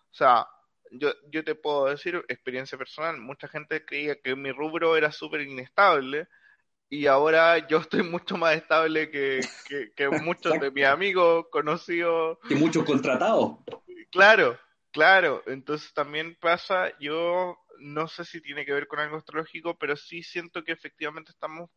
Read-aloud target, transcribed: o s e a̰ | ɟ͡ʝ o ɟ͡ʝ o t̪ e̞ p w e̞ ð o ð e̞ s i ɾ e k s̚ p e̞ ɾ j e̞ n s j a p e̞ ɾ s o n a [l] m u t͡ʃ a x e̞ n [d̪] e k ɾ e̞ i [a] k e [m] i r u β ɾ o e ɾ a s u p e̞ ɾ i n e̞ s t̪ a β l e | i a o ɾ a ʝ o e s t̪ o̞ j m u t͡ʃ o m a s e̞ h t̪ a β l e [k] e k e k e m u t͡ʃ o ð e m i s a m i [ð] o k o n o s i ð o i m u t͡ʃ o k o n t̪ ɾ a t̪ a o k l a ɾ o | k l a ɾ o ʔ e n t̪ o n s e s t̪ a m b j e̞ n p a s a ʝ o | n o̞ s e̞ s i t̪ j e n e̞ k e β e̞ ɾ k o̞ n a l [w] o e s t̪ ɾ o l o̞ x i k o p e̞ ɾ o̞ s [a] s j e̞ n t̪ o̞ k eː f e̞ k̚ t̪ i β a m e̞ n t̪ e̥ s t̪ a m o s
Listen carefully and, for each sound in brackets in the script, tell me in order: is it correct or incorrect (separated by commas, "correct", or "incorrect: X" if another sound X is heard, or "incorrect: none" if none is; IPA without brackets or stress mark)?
correct, incorrect: t̪, correct, correct, correct, incorrect: ɣ, incorrect: ɣ, incorrect: i